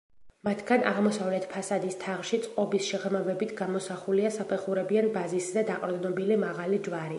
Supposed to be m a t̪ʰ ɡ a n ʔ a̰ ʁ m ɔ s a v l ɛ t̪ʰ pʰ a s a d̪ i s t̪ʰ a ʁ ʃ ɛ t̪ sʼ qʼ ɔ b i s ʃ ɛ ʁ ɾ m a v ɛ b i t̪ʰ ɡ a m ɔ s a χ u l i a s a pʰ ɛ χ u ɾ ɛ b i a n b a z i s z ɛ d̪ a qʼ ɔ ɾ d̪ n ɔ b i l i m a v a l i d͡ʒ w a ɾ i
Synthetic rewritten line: m a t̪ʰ ɡ a n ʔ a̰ ʁ m ɔ s a v l ɛ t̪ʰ pʰ a s a d̪ i s t̪ʰ a ʁ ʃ i t̪ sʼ qʼ ɔ b i s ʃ ɛ ʁ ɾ m a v ɛ b i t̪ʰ ɡ a m ɔ s a χ u l i a s a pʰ ɛ χ u ɾ ɛ b i a n b a z i s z ɛ d̪ a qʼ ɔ ɾ d̪ n ɔ b i l i m a ʁ a l i d͡ʒ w a ɾ i